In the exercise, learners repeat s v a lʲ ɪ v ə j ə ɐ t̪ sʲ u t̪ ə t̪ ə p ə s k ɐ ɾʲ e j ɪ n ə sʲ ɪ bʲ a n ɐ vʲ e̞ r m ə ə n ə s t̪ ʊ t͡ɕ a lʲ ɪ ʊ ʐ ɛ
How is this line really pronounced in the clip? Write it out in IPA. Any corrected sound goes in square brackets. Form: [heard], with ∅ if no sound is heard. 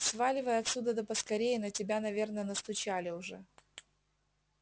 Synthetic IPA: s v a lʲ ɪ v ə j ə ɐ t̪ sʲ u [d̪] ə [d̪] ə p ə s k ɐ ɾʲ e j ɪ n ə [tʲ] ɪ bʲ a n ɐ vʲ e̞ r [n] ə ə n ə s t̪ ʊ t͡ɕ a lʲ ɪ ʊ ʐ ɛ

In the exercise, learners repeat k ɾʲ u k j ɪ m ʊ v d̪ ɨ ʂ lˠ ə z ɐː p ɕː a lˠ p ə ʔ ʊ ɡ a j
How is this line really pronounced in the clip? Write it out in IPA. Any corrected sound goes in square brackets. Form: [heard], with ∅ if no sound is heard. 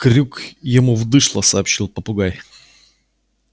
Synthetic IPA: k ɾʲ u k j ɪ m [u] v d̪ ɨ ʂ lˠ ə [s] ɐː p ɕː [i] lˠ p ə [p] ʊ ɡ a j

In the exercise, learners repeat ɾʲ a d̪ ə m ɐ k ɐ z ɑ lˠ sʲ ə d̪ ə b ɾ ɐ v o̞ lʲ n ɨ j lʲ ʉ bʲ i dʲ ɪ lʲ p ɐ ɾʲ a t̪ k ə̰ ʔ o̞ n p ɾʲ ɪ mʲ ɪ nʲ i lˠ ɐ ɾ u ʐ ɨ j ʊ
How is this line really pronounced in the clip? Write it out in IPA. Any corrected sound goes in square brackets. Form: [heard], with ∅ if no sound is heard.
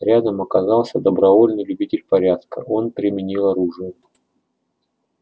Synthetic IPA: ɾʲ a d̪ ə m ɐ k ɐ z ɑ lˠ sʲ ə d̪ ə b ɾ ɐ v o̞ lʲ n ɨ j lʲ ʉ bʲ i [tʲ] ɪ lʲ p ɐ ɾʲ a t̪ k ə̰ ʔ o̞ n p ɾʲ ɪ mʲ ɪ nʲ i lˠ ɐ ɾ u ʐ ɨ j ʊ

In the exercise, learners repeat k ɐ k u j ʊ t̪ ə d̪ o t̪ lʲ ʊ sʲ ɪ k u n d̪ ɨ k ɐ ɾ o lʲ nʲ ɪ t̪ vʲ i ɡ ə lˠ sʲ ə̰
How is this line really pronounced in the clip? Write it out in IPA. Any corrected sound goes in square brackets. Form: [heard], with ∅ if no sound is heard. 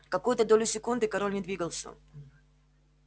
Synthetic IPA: k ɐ k u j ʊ t̪ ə d̪ o [∅] lʲ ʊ sʲ ɪ k u n d̪ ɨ k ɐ ɾ o lʲ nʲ ɪ [d̪] vʲ i ɡ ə lˠ sʲ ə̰

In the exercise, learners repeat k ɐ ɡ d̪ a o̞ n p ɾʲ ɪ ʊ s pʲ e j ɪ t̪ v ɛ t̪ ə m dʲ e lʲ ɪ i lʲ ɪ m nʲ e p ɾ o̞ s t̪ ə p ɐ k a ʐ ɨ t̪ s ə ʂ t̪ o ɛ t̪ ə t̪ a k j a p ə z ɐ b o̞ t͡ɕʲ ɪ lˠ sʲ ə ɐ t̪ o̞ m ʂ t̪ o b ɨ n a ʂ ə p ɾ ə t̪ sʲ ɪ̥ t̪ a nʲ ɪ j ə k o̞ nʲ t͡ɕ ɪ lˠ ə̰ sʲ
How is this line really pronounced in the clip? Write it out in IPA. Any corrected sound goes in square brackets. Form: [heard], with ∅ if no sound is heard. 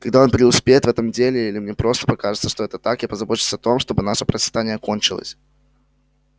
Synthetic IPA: k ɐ ɡ d̪ a o̞ n p ɾʲ ɪ ʊ s pʲ e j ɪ t̪ v ɛ t̪ ə m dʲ e lʲ ɪ i lʲ ɪ m nʲ e p ɾ o̞ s t̪ ə p ɐ k a ʐ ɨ t̪ s ə ʂ t̪ o ɛ t̪ ə t̪ a k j a p ə z ɐ b o̞ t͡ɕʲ ɪ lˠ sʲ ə ɐ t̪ o̞ m ʂ t̪ o b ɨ n a ʂ ə p ɾ ə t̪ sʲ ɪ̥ t̪ a nʲ ɪ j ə k o̞ nʲ t͡ɕ ɪ lˠ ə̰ sʲ

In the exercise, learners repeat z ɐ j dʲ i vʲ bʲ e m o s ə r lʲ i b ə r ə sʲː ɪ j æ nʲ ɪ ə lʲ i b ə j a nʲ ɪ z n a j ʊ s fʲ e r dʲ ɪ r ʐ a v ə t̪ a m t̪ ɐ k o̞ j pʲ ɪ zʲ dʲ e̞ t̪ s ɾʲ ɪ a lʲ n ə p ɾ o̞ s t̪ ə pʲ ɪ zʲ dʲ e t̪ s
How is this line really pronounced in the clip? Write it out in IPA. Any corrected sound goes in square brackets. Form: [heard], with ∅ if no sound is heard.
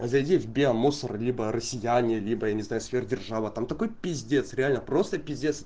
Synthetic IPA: z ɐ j dʲ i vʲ bʲ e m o s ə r lʲ i b ə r ə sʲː ɪ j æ nʲ ɪ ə lʲ i b ə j a nʲ ɪ z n a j ʊ s fʲ e r dʲ ɪ r ʐ a v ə t̪ a m t̪ ɐ k o̞ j pʲ ɪ zʲ dʲ e̞ t̪ s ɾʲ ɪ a lʲ n ə p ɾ o̞ s t̪ ə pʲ ɪ zʲ dʲ e t̪ s

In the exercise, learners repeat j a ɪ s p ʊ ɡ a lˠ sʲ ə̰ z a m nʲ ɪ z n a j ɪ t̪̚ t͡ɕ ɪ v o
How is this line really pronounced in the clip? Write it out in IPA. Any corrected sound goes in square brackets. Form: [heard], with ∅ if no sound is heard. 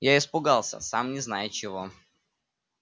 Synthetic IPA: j a ɪ s p ʊ ɡ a lˠ sʲ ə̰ [s] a m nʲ ɪ z n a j ɪ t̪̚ t͡ɕ ɪ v o

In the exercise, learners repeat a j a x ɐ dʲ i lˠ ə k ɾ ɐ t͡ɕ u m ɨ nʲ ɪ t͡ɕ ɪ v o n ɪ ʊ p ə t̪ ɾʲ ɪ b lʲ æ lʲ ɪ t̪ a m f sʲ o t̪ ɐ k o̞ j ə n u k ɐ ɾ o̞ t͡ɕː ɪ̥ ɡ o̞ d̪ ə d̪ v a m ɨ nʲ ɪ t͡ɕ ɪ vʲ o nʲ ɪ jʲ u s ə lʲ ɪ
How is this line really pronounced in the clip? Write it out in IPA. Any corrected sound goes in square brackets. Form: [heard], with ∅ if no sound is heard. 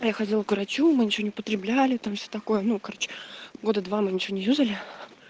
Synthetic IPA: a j a x ɐ dʲ i lˠ ə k ɾ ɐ t͡ɕ u m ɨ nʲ ɪ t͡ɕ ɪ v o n ɪ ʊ p ə t̪ ɾʲ ɪ b lʲ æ lʲ ɪ t̪ a m f sʲ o t̪ ɐ k o̞ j ə n u k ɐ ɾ o̞ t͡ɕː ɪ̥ ɡ o̞ d̪ ə d̪ v a m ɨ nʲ ɪ t͡ɕ ɪ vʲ o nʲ ɪ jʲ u [z] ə lʲ ɪ

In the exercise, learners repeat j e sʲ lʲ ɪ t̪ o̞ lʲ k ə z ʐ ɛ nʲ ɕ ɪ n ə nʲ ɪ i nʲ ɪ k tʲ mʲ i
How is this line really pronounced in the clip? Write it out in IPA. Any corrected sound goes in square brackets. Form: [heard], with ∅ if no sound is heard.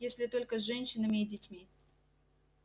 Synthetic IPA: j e sʲ lʲ ɪ t̪ o̞ lʲ k ə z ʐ ɛ nʲ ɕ ɪ n ə [mʲ] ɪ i [dʲ] ɪ [∅] tʲ mʲ i

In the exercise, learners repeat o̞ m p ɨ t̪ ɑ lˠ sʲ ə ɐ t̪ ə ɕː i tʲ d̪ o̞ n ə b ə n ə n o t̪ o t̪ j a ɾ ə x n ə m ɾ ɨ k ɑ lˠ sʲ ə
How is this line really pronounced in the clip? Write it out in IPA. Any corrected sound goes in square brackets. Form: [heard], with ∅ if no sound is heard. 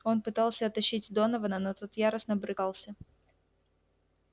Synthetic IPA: o̞ [n] p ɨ t̪ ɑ lˠ sʲ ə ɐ t̪ [ɐ] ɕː i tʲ d̪ o̞ n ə [v] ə n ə n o t̪ o t̪ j a ɾ ə [s] n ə [b] ɾ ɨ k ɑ lˠ sʲ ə

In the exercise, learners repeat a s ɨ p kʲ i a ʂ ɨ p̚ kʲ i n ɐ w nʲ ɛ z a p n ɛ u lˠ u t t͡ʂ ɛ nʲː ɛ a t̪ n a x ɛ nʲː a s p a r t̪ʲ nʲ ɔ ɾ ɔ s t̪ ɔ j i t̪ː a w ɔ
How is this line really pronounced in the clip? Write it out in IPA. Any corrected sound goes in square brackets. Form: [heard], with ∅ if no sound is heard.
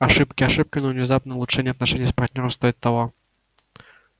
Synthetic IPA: a [ʂ] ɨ p kʲ i a ʂ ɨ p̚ kʲ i n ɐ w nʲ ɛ z a p n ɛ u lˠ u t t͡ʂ ɛ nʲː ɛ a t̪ n a [ʂ] ɛ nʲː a s p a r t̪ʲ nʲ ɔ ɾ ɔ s t̪ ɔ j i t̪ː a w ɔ

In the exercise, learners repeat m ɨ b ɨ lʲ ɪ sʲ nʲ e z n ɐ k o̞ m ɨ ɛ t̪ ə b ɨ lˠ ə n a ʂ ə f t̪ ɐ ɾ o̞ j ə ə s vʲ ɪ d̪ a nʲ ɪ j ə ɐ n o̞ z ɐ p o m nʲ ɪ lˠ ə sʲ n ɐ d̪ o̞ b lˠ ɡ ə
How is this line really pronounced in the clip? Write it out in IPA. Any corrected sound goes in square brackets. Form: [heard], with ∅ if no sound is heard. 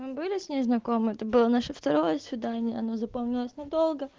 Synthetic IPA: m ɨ b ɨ lʲ ɪ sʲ nʲ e z n ɐ k o̞ m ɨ ɛ t̪ ə b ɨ lˠ ə n a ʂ ə f t̪ ɐ ɾ o̞ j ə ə s vʲ ɪ d̪ a nʲ ɪ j ə ɐ n o̞ z ɐ p o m nʲ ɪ lˠ ə sʲ n ɐ d̪ o̞ [∅] lˠ ɡ ə

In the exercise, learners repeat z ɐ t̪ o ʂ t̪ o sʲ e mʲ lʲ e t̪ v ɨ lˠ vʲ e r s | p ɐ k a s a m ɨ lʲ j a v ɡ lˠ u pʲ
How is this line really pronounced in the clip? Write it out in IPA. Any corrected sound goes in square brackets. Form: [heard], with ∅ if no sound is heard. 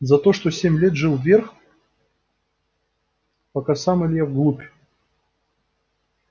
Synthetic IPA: z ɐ t̪ o ʂ t̪ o sʲ e mʲ lʲ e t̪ [ʐ] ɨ lˠ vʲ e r [x] | p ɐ k a s a m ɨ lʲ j a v ɡ lˠ u pʲ

